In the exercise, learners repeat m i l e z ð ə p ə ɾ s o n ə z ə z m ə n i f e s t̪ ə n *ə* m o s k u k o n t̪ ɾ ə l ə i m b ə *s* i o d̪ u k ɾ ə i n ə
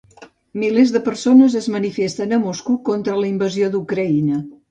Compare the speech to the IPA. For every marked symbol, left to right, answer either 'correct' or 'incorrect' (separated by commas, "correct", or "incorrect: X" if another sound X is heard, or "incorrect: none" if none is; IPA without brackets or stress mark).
correct, incorrect: z